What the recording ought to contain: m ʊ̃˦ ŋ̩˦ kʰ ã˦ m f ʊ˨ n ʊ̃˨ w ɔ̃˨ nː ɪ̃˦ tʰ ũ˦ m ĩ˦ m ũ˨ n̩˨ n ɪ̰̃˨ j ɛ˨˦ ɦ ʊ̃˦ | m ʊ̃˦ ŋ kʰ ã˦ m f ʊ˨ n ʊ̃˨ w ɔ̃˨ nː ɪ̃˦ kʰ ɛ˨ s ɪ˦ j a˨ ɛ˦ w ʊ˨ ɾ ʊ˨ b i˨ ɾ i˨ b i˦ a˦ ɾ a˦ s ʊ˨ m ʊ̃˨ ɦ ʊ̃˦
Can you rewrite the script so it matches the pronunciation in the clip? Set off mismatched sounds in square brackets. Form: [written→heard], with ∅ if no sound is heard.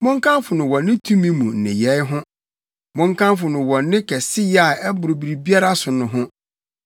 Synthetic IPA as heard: m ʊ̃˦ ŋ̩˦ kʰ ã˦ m f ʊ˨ n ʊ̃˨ w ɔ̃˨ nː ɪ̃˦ tʰ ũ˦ m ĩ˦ m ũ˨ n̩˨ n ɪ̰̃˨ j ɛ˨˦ ɦ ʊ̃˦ | m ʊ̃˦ ŋ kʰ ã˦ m f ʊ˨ n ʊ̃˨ w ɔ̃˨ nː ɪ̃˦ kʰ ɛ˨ s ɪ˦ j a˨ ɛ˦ [w→b] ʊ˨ ɾ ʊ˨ b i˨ ɾ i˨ b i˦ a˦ ɾ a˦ s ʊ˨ [m→n] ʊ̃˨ ɦ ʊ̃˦